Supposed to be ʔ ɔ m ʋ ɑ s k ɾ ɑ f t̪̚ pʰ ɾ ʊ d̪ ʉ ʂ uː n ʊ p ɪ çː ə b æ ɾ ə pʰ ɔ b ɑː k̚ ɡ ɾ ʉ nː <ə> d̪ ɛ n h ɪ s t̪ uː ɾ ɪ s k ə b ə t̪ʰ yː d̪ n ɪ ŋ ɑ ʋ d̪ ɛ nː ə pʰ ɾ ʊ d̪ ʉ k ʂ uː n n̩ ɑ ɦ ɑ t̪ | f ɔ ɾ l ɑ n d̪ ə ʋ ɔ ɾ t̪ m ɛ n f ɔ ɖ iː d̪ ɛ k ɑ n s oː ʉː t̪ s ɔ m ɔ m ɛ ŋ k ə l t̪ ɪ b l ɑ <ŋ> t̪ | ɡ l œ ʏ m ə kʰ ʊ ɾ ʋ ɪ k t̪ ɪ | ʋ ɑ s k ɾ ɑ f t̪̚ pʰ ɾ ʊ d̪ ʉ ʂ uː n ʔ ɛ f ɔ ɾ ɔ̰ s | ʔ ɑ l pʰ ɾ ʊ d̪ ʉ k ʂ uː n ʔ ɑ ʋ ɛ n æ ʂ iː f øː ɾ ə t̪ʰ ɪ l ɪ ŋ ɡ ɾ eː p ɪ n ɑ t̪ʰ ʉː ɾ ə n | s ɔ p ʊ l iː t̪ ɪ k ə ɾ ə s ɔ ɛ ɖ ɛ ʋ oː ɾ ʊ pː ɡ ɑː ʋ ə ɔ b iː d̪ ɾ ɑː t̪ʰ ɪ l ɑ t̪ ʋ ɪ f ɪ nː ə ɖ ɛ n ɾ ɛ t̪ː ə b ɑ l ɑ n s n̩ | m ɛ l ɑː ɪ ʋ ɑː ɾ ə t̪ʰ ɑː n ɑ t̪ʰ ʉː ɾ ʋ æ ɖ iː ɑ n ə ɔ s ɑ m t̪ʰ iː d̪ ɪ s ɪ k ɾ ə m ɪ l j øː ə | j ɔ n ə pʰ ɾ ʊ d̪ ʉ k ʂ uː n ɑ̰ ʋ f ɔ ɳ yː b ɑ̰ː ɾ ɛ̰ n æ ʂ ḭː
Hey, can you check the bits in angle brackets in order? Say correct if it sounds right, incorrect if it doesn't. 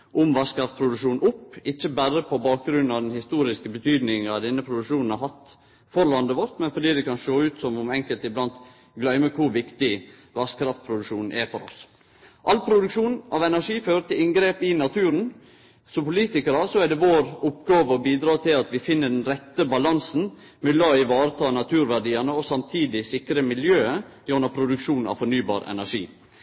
incorrect: ɑ, incorrect: n

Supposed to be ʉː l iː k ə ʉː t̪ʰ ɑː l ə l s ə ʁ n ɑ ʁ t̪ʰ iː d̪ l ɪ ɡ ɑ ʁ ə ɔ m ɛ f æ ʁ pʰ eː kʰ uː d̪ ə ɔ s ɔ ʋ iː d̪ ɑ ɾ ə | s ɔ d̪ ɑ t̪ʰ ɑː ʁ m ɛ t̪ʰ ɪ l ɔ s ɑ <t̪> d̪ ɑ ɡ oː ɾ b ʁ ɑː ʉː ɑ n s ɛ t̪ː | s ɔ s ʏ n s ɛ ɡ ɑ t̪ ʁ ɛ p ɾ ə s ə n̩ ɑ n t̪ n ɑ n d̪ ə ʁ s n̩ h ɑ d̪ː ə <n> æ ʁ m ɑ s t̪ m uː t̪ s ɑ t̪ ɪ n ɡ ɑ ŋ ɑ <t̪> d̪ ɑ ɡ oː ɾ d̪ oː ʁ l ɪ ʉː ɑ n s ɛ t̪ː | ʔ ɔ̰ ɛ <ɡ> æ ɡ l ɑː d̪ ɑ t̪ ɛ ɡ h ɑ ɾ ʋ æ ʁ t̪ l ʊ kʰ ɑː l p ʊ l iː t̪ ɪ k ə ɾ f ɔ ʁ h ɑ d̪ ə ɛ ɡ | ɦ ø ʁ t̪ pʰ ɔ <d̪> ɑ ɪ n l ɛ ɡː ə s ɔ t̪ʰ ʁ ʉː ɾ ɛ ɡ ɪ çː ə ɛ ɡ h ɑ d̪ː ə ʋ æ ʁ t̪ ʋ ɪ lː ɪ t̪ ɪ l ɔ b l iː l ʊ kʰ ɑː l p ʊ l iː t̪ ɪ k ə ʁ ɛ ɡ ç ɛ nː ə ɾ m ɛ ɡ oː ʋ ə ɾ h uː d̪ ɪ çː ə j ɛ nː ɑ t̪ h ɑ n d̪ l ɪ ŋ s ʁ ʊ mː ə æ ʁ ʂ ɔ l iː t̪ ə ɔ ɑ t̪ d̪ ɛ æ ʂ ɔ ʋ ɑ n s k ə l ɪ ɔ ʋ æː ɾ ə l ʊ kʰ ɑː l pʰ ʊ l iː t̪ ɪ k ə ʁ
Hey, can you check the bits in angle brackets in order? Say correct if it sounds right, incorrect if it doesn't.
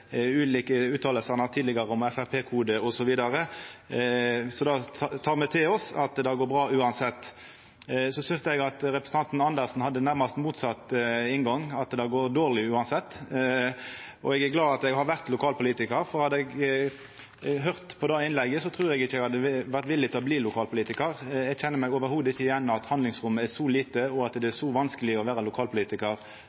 correct, correct, correct, correct, correct

